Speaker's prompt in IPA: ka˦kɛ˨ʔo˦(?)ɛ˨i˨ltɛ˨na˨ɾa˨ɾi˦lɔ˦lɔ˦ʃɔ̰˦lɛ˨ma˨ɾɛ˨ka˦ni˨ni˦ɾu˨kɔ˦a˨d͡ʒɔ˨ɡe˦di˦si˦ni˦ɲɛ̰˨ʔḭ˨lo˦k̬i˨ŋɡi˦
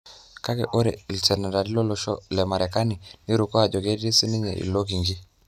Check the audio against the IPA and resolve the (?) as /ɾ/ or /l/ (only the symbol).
ɾ